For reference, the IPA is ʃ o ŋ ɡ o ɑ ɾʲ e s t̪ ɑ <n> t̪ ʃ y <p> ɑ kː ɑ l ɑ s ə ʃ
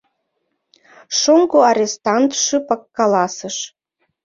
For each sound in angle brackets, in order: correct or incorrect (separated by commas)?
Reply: correct, correct